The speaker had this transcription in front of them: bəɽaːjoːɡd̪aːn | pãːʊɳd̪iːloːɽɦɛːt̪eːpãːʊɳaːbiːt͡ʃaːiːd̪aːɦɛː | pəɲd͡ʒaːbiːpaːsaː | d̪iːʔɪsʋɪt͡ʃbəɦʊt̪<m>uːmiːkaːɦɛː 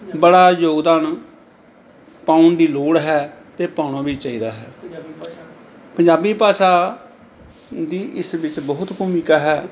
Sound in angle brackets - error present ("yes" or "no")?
yes